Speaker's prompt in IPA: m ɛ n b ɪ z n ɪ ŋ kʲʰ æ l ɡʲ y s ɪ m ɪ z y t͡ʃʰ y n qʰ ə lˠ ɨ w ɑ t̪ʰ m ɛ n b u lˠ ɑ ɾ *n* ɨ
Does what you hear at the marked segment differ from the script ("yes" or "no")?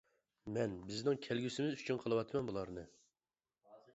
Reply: no